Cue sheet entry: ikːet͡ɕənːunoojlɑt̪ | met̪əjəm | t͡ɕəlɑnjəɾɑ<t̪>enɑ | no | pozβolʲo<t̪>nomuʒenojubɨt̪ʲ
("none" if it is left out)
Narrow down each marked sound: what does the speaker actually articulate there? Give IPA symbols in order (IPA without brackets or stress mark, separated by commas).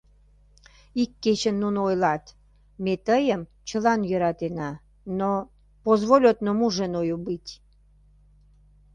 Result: t̪, t̪